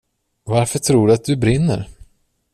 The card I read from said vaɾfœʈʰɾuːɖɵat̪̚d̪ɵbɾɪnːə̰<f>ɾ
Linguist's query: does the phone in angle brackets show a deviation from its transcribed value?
yes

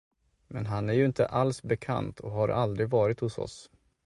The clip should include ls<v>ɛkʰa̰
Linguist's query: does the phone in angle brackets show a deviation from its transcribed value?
yes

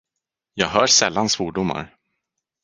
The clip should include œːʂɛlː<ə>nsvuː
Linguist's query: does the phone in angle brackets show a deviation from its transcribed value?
yes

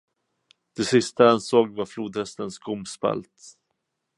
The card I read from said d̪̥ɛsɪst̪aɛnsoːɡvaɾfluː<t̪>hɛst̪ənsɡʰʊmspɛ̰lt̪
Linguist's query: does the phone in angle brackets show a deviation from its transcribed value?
yes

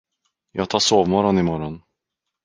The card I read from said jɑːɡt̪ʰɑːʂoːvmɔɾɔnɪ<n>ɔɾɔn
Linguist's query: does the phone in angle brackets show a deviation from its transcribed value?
yes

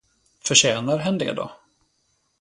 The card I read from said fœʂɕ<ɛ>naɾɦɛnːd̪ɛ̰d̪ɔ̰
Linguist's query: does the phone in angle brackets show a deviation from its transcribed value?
yes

